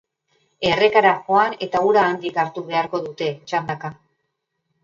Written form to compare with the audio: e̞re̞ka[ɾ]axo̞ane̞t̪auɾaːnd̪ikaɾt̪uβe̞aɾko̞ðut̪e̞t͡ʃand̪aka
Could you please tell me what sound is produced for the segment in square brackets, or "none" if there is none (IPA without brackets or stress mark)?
ɾ